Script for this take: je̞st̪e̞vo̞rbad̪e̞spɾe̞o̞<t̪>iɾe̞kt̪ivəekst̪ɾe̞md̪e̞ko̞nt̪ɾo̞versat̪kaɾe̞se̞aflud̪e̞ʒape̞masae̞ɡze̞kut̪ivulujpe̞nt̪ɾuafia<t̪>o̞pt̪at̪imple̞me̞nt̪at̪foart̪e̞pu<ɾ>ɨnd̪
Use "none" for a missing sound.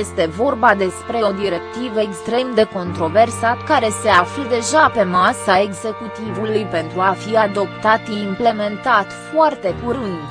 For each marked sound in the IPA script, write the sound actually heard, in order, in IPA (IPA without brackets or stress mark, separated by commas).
d̪, d̪, ɾ